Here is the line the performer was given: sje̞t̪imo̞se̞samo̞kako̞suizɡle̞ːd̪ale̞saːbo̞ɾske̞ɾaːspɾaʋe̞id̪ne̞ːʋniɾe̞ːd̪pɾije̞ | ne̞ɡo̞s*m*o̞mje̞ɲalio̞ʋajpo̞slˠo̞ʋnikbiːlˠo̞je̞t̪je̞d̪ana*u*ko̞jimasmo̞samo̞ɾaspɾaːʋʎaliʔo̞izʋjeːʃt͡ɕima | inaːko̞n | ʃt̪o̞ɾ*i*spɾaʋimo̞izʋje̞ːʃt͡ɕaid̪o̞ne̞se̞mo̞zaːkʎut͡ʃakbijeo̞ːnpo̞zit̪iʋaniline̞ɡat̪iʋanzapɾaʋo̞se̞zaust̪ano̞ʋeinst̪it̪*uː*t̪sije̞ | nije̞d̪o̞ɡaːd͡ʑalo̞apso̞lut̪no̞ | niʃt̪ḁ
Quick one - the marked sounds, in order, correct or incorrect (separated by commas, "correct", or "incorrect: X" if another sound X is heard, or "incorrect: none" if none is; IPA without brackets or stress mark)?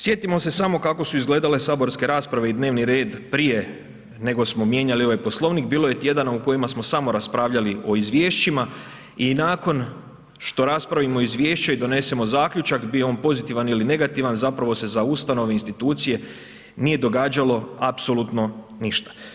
correct, correct, incorrect: a, correct